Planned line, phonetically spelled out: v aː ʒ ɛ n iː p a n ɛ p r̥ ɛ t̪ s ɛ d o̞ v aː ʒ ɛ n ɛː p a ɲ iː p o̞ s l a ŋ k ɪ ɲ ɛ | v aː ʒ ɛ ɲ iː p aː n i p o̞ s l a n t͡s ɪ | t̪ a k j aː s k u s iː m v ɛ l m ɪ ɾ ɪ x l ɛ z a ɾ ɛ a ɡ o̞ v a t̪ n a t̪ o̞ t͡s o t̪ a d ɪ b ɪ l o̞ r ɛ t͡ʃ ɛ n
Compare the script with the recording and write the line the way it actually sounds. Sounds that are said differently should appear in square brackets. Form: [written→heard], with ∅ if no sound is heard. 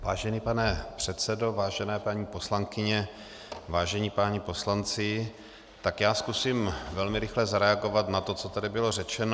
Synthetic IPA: v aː ʒ ɛ n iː p a n ɛ p r̥ ɛ t̪ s ɛ d o̞ v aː ʒ ɛ n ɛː p a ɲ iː p o̞ s l a ŋ k ɪ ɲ ɛ | v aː ʒ ɛ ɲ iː p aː [n→ɲ] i p o̞ s l a n t͡s ɪ | t̪ a k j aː s k u s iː m v ɛ l m ɪ ɾ ɪ x l ɛ z a ɾ ɛ a ɡ o̞ v a t̪ n a t̪ o̞ t͡s o t̪ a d ɪ b ɪ l o̞ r ɛ t͡ʃ ɛ n

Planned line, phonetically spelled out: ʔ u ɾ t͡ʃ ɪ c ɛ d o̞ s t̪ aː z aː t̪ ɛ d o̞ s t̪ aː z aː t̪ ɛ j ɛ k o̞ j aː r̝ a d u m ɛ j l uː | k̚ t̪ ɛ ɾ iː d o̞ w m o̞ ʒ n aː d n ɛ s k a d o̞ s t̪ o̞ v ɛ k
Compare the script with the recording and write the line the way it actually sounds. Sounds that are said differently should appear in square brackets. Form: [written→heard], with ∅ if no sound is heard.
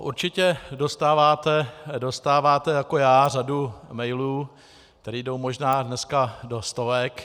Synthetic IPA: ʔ u ɾ t͡ʃ ɪ c ɛ d o̞ s t̪ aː [z→v] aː t̪ ɛ d o̞ s t̪ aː [z→v] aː t̪ ɛ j [ɛ→a] k o̞ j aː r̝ a d u m ɛ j l uː | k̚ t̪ ɛ ɾ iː d o̞ w m o̞ ʒ n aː d n ɛ s k a d o̞ s t̪ o̞ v ɛ k

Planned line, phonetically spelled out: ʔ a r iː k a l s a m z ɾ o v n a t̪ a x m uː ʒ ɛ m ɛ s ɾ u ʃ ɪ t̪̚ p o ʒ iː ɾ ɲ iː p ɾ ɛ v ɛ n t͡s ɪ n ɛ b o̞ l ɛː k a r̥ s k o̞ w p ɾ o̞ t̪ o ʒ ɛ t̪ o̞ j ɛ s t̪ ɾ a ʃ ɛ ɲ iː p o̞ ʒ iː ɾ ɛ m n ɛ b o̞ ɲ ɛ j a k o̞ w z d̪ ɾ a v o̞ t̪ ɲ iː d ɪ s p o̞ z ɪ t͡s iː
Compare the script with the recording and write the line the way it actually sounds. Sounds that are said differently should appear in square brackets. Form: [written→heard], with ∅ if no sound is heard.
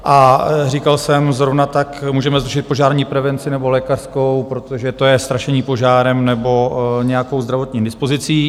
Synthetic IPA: ʔ a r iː k a l s [a→ɛ] m z ɾ o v n a t̪ a [x→k] m uː ʒ ɛ m ɛ [s→z] ɾ u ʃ ɪ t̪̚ p o ʒ [iː→aː] ɾ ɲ iː p ɾ ɛ v ɛ n t͡s ɪ n ɛ b o̞ l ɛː k a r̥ s k o̞ w p ɾ o̞ t̪ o ʒ ɛ t̪ o̞ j ɛ s t̪ ɾ a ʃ ɛ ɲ iː p o̞ ʒ [iː→aː] ɾ ɛ m n ɛ b o̞ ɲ ɛ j a k o̞ w z d̪ ɾ a v o̞ t̪ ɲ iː d ɪ s p o̞ z ɪ t͡s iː

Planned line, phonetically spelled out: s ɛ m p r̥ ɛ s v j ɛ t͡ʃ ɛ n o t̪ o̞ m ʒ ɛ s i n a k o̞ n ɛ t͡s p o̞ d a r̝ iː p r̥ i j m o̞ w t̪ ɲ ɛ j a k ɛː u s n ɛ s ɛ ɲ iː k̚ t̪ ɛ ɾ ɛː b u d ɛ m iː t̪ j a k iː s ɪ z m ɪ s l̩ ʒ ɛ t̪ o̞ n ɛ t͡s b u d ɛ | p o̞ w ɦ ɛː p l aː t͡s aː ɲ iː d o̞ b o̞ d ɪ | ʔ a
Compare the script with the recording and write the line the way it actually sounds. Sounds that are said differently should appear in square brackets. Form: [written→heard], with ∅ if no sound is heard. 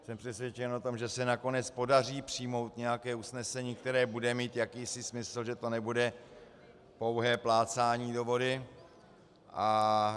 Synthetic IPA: s ɛ m p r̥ ɛ s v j ɛ t͡ʃ ɛ n o t̪ o̞ m ʒ ɛ s [i→ɛ] n a k o̞ n ɛ t͡s p o̞ d a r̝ iː p r̥ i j m o̞ w t̪ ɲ ɛ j a k ɛː u s n ɛ s ɛ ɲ iː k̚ t̪ ɛ ɾ ɛː b u d ɛ m iː t̪ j a k iː s ɪ [z→s] m ɪ s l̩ ʒ ɛ t̪ o̞ n ɛ [t͡s→∅] b u d ɛ | p o̞ w ɦ ɛː p l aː t͡s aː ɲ iː d o̞ [b→v] o̞ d ɪ | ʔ a

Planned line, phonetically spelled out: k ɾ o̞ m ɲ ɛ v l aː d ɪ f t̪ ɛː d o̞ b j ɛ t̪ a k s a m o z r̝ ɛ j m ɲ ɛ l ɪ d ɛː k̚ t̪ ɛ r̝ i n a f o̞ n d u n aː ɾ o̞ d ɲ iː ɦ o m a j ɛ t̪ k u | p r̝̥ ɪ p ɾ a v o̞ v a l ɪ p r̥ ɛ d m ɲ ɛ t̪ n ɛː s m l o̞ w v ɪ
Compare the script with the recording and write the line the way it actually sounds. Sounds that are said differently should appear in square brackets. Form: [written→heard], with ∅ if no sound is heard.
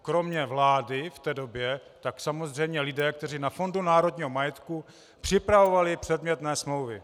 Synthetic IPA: k ɾ o̞ m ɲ ɛ v l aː d ɪ f t̪ ɛː d o̞ b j ɛ t̪ a k s a m o z r̝ ɛ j m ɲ ɛ l ɪ d ɛː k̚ t̪ ɛ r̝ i n a f o̞ n d u n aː ɾ o̞ d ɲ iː ɦ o m a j ɛ t̪ k u | p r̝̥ ɪ p ɾ a v o̞ v a l ɪ p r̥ ɛ d m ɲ ɛ t̪ n ɛː s m l o̞ w v ɪ

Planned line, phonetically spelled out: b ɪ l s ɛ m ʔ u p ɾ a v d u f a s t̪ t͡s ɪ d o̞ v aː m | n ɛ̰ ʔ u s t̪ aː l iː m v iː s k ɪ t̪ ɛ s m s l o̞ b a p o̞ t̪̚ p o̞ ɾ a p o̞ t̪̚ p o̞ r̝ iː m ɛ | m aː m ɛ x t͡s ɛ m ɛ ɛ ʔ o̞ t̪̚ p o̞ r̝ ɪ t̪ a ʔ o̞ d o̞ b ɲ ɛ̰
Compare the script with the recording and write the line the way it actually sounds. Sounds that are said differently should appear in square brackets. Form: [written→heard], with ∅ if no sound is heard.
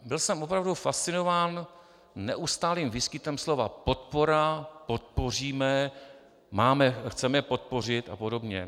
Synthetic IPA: b ɪ l s ɛ m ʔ [u→o] p ɾ a v d u f a s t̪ t͡s ɪ [d→n] o̞ v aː [m→n] | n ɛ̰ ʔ u s t̪ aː l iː m v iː s k ɪ t̪ ɛ [s→∅] m s l o̞ [b→v] a p o̞ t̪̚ p o̞ ɾ a p o̞ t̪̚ p o̞ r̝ iː m ɛ | m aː m ɛ x t͡s ɛ m ɛ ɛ [ʔ→p] o̞ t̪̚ p o̞ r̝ ɪ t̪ a [ʔ→p] o̞ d o̞ b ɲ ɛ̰

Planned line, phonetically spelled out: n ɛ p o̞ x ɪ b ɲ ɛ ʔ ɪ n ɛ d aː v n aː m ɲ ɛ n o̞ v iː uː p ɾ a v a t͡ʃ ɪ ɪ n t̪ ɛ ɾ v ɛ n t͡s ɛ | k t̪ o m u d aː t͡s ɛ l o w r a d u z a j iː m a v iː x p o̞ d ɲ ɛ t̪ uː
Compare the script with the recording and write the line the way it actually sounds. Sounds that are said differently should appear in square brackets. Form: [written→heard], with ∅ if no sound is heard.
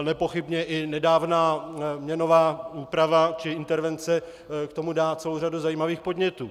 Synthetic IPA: n ɛ p o̞ x ɪ b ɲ ɛ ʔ ɪ n ɛ d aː v n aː m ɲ ɛ n o̞ v [iː→aː] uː p ɾ a v a t͡ʃ ɪ ɪ n t̪ ɛ ɾ v ɛ n t͡s ɛ | k t̪ o m u d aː t͡s ɛ l o w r a d u z a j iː m a v iː x p o̞ d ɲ ɛ t̪ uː

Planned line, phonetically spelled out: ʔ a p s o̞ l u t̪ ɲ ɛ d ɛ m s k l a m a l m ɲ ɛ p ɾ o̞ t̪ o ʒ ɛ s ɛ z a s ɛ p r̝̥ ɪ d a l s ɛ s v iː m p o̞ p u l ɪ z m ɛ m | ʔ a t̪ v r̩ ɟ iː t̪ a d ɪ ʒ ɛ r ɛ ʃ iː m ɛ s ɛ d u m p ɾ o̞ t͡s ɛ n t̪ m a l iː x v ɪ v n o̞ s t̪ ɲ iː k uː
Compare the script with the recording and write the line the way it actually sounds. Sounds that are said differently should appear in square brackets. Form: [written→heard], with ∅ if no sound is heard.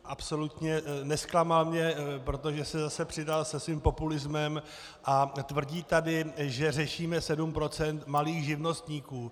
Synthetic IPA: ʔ a p s o̞ l u t̪ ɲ ɛ [d→n] ɛ [m→∅] s k l a m a l m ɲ ɛ p ɾ o̞ t̪ o ʒ ɛ s ɛ z a s ɛ p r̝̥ ɪ d a l s ɛ s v iː m p o̞ p u l ɪ z m ɛ m | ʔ a t̪ v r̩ ɟ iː t̪ a d ɪ ʒ ɛ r ɛ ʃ iː m ɛ s ɛ d u m p ɾ o̞ t͡s ɛ n t̪ m a l iː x [v→ʒ] ɪ v n o̞ s t̪ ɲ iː k uː

